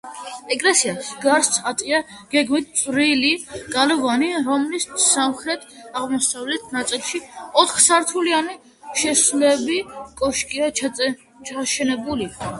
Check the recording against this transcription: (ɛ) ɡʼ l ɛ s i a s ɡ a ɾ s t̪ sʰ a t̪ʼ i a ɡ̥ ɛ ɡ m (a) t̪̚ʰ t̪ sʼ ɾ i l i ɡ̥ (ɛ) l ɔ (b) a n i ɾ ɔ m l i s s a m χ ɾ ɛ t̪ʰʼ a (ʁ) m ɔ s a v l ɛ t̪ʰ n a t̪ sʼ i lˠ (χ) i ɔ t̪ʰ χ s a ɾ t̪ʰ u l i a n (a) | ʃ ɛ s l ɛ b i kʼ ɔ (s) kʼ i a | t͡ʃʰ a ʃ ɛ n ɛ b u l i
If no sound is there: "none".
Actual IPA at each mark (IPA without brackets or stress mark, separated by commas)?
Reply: ɛ, i, a, v, ʁ, ʃ, i, ʃ